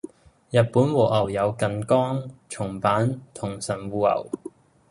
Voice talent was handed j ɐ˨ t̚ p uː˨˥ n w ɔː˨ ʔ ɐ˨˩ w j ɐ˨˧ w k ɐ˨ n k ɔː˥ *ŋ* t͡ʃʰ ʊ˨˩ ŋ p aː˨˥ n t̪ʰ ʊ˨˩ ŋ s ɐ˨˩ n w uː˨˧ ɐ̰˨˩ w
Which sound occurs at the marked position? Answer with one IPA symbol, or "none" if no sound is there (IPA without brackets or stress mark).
ŋ